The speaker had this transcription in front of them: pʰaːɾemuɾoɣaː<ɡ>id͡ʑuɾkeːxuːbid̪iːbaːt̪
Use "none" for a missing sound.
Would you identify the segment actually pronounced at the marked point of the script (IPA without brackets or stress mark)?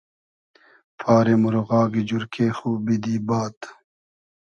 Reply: ɡ